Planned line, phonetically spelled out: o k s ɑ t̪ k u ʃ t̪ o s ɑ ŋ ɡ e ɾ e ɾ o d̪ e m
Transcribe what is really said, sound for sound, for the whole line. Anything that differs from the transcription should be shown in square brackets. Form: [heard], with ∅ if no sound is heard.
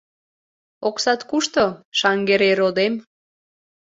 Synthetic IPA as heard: o k s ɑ t̪ k u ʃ t̪ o [ʃ] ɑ ŋ ɡ e ɾ e ɾ o d̪ e m

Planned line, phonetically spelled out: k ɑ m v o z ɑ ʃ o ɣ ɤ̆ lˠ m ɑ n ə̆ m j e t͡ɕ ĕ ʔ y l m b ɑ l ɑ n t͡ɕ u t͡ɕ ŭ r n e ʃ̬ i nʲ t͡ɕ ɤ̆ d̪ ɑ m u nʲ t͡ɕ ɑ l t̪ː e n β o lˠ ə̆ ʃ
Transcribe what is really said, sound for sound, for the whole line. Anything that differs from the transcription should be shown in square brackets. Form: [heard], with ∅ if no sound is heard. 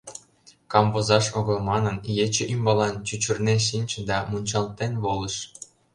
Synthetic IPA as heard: k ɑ m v o z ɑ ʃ o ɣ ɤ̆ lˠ m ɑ n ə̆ [n] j e t͡ɕ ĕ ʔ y [∅] m b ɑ l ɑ n t͡ɕ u t͡ɕ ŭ r n e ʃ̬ i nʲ t͡ɕ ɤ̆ d̪ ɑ m u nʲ t͡ɕ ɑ l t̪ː e n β o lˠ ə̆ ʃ

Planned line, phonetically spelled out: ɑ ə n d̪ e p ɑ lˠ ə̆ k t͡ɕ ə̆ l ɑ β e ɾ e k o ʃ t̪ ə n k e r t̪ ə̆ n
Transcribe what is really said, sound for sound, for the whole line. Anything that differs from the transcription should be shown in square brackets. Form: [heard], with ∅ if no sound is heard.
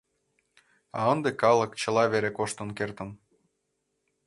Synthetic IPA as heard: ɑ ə n d̪ e [k] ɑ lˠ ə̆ k t͡ɕ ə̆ l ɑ β e ɾ e k o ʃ t̪ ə n k e r t̪ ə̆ n

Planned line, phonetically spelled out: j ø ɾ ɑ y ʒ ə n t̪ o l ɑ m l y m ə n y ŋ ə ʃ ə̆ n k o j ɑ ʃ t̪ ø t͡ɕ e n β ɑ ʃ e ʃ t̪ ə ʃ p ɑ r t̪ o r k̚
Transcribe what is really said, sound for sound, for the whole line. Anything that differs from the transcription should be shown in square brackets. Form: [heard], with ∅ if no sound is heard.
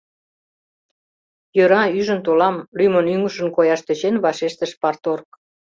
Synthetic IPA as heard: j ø ɾ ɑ y ʒ ə n t̪ o l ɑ m l y m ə n y ŋ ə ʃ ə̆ n k o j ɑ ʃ t̪ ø t͡ɕ e n β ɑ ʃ e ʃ t̪ ə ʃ p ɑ r t̪ o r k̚

